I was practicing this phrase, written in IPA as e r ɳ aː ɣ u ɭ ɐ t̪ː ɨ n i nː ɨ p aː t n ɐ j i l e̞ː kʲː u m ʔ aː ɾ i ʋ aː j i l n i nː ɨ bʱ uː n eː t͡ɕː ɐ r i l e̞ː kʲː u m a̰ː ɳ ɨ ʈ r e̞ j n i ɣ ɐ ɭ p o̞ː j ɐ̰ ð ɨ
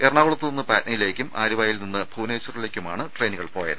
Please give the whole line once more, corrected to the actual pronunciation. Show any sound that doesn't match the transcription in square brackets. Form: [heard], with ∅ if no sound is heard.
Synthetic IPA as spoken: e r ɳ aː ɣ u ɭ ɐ t̪ː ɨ n i nː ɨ p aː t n ɐ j i l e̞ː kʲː u m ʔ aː ɾ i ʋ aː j i l n i nː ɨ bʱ uː n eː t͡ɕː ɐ r i l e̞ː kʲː u m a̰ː ɳ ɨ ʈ r e̞ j n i ɣ ɐ ɭ p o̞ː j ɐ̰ ð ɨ

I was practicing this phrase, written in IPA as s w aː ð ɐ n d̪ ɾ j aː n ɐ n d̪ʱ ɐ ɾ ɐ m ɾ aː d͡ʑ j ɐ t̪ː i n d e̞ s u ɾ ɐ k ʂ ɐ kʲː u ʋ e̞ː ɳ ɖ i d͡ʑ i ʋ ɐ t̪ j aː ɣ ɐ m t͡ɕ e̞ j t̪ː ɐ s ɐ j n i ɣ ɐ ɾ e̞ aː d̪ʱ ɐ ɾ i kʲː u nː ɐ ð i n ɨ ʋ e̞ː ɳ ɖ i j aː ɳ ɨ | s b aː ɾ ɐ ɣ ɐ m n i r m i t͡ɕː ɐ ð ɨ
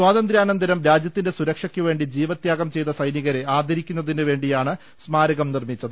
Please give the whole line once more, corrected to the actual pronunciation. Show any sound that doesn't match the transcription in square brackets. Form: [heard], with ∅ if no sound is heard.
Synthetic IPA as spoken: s w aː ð ɐ n d̪ ɾ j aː n ɐ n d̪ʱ ɐ ɾ ɐ m ɾ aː d͡ʑ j ɐ t̪ː i n d e̞ s u ɾ ɐ k ʂ ɐ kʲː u ʋ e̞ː ɳ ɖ i d͡ʑ [iː] ʋ ɐ t̪ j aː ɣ ɐ m t͡ɕ e̞ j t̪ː ɐ s ɐ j n i ɣ ɐ ɾ e̞ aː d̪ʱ ɐ ɾ i kʲː u nː ɐ ð i n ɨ ʋ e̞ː ɳ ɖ i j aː ɳ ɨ | s [m] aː ɾ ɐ ɣ ɐ m n i r m i t͡ɕː ɐ ð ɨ

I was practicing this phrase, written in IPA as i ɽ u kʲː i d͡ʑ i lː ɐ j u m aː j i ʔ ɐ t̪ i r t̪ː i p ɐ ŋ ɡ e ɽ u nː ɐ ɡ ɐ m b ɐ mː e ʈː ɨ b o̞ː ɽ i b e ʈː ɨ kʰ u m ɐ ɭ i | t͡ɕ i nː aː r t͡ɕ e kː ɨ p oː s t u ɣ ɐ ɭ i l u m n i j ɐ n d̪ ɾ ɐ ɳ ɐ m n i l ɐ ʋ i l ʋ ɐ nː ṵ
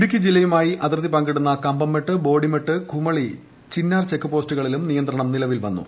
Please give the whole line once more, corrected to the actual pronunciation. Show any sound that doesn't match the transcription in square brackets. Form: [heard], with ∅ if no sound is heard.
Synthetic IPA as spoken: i ɽ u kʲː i d͡ʑ i lː ɐ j u m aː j i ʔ ɐ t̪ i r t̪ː i p ɐ ŋ ɡ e ɽ u nː ɐ [k] ɐ m b ɐ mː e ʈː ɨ b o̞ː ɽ i [m] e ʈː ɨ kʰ u m ɐ ɭ i | t͡ɕ i nː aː r t͡ɕ e kː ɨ p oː s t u ɣ ɐ ɭ i l u m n i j ɐ n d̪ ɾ ɐ ɳ ɐ m n i l ɐ ʋ i l ʋ ɐ nː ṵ

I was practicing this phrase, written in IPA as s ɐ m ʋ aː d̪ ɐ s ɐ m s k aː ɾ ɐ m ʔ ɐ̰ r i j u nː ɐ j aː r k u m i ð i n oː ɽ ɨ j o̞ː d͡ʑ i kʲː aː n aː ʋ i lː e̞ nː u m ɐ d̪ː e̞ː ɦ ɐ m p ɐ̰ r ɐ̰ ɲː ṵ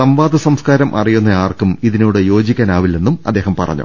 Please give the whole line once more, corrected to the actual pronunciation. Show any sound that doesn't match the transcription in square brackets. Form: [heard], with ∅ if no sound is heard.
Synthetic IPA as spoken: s ɐ m ʋ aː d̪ ɐ s ɐ m s k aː ɾ ɐ m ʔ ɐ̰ r i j u nː ɐ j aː r k u m i ð i n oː ɽ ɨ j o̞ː d͡ʑ i kʲː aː n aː ʋ i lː e̞ nː u m ɐ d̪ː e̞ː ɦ ɐ m p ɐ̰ r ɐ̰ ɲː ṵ

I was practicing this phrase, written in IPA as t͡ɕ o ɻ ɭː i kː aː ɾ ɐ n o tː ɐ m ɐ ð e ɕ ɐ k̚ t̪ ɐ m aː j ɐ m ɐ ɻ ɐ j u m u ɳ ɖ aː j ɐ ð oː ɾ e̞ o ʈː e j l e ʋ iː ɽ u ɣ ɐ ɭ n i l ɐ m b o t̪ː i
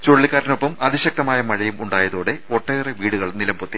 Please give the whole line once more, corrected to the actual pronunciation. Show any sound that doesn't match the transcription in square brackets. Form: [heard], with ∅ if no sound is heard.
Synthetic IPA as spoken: t͡ɕ o ɻ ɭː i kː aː ɾ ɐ n o [pː] ɐ m ɐ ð [i] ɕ ɐ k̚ t̪ ɐ m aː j ɐ m ɐ ɻ ɐ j u m u ɳ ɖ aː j ɐ ð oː [ɽ] e̞ o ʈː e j [r] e ʋ iː ɽ u ɣ ɐ ɭ n i l ɐ m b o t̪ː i

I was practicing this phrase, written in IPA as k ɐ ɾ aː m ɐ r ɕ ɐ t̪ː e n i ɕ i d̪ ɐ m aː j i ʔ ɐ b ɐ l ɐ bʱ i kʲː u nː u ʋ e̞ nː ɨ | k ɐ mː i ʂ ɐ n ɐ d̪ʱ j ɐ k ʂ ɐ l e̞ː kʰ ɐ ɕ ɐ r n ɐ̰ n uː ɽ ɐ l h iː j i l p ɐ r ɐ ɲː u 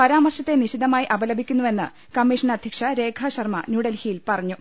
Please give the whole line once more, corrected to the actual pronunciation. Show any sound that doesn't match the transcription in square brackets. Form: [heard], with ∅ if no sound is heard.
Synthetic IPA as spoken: [p] ɐ ɾ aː m ɐ r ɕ ɐ t̪ː e n i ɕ i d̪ ɐ m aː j i ʔ ɐ b ɐ l ɐ bʱ i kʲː u nː u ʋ e̞ nː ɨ | k ɐ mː i ʂ ɐ n ɐ d̪ʱ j ɐ k ʂ ɐ [ɾ] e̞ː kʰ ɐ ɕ ɐ r [m] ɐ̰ n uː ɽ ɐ l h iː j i l p ɐ r ɐ ɲː u

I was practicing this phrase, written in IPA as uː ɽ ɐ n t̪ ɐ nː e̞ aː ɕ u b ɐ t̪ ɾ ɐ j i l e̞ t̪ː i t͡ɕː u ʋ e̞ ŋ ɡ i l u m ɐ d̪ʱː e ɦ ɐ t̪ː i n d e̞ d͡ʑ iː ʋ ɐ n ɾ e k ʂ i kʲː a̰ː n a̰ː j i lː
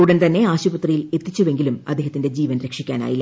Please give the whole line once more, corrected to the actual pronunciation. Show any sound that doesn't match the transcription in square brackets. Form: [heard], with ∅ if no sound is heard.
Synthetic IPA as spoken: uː ɽ ɐ n t̪ ɐ nː e̞ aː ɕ u b ɐ t̪ [r] ɐ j i l e̞ t̪ː i t͡ɕː u ʋ e̞ ŋ ɡ i l u m ɐ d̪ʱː e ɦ ɐ t̪ː i n d e̞ d͡ʑ iː ʋ ɐ n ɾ e k ʂ i kʲː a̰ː n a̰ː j i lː

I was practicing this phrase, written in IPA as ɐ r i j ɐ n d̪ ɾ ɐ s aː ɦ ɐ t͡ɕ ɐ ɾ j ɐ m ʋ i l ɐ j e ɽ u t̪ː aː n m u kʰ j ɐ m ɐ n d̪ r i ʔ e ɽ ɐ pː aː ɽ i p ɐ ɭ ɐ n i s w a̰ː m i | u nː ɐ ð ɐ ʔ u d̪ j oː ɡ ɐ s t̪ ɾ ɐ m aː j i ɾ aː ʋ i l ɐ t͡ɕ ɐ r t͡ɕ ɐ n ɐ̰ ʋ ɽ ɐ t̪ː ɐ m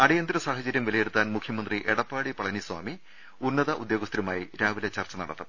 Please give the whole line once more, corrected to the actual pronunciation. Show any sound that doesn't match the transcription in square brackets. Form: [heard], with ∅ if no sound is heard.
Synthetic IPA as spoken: ɐ [ɽ] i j ɐ n d̪ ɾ ɐ s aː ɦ ɐ t͡ɕ ɐ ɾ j ɐ m ʋ i l ɐ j e ɽ u t̪ː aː n m u kʰ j ɐ m ɐ n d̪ r i ʔ e ɽ ɐ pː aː ɽ i p ɐ ɭ ɐ n i s w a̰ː m i | u nː ɐ ð ɐ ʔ u d̪ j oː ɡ ɐ s t̪ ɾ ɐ m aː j i ɾ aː ʋ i l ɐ t͡ɕ ɐ r t͡ɕ ɐ n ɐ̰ [∅] ɽ ɐ t̪ː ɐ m

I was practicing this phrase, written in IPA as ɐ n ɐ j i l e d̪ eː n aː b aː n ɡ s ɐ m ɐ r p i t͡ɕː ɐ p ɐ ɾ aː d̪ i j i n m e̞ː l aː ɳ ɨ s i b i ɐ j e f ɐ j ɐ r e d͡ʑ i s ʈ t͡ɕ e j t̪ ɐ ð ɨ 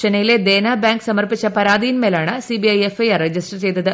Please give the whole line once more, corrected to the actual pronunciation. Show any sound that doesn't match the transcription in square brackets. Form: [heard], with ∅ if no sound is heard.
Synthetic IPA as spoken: ɐ n ɐ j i l e d̪ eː n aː b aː [ŋ] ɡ s ɐ m ɐ r p i t͡ɕː ɐ p ɐ ɾ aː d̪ i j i n m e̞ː l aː ɳ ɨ s i b i ɐ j e f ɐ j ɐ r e d͡ʑ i s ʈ t͡ɕ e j t̪ ɐ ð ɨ

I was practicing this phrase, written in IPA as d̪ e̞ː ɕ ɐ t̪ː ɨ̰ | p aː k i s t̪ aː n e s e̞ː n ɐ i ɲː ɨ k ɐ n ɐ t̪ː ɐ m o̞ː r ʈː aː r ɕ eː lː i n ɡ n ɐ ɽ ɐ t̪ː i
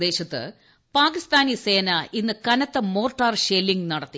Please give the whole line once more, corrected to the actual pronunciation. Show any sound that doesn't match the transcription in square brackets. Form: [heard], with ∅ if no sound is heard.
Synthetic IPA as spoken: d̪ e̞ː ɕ ɐ t̪ː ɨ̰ | p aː k i s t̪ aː n [i] s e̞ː n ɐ i [nː] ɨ k ɐ n ɐ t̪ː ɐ m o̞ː r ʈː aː r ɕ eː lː i [ŋ] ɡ n ɐ ɽ ɐ t̪ː i

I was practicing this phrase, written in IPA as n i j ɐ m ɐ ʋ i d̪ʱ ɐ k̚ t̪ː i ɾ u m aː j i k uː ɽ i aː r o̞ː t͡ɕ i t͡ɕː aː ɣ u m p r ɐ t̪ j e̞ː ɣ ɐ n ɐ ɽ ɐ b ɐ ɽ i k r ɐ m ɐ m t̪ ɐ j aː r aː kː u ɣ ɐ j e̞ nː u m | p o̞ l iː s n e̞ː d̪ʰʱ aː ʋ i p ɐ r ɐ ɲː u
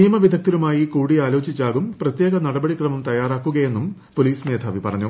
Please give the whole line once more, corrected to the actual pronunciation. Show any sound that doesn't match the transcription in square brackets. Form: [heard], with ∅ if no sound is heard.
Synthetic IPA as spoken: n i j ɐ m ɐ ʋ i d̪ʱ ɐ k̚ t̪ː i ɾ u m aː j i k uː ɽ i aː [l] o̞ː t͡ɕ i t͡ɕː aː ɣ u m p r ɐ t̪ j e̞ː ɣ ɐ n ɐ ɽ ɐ b ɐ ɽ i k r ɐ m ɐ m t̪ ɐ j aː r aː kː u ɣ ɐ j e̞ nː u m | p o̞ l iː s n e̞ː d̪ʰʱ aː ʋ i p ɐ r ɐ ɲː u

